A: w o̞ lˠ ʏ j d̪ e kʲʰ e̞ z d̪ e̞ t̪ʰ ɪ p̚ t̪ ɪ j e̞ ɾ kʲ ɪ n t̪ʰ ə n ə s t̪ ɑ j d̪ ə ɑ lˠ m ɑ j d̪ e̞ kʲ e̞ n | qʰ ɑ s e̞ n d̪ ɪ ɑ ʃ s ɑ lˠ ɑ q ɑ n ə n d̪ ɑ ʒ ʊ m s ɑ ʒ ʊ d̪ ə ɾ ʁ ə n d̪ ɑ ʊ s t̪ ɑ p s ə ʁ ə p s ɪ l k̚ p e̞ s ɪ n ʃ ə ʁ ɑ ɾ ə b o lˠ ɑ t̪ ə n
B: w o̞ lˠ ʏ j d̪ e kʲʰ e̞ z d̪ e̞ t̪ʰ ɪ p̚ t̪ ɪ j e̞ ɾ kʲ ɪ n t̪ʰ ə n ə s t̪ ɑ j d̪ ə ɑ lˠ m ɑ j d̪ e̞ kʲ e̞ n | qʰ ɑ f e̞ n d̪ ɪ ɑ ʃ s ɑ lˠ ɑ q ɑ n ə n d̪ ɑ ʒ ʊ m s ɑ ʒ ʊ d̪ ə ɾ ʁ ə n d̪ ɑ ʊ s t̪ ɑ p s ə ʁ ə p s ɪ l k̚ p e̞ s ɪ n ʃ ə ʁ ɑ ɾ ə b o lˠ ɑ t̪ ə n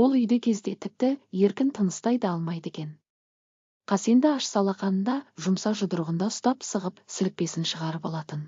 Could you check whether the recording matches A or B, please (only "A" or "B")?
A